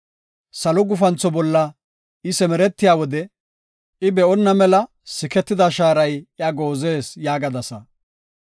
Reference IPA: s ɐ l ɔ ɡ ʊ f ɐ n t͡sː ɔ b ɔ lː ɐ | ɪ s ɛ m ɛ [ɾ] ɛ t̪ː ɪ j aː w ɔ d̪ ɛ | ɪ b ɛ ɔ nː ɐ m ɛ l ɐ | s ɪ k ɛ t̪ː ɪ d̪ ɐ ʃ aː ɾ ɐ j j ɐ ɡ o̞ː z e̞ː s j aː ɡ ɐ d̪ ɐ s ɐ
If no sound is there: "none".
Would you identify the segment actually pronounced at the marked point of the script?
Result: ɾ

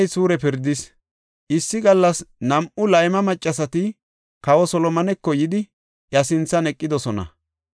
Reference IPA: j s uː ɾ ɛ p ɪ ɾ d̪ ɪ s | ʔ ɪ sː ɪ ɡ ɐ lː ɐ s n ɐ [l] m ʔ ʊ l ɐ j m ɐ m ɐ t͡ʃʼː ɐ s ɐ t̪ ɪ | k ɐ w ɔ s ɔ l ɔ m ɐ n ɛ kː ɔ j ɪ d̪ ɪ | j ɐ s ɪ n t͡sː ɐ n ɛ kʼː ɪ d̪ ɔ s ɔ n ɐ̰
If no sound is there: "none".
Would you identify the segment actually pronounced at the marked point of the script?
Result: none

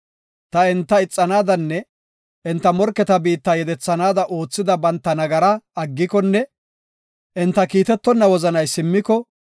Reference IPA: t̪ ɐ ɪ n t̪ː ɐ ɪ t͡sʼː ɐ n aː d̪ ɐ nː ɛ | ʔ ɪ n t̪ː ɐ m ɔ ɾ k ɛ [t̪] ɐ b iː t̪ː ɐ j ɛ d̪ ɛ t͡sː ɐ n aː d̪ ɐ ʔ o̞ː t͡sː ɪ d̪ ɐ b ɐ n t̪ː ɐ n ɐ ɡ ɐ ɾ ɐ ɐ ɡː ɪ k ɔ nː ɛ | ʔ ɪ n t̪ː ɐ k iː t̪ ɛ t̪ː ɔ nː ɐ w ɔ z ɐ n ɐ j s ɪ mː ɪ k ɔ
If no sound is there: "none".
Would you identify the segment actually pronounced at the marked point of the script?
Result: t̪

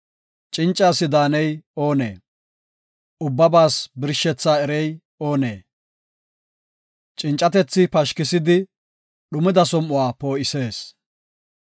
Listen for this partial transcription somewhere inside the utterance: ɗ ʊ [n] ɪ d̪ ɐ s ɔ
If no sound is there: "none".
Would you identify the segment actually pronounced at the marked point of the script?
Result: m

